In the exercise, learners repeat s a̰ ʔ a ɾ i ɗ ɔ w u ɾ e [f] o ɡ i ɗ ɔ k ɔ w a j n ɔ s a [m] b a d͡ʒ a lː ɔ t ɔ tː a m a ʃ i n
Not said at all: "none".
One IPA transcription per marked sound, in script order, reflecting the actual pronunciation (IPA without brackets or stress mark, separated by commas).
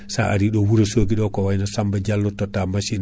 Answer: s, m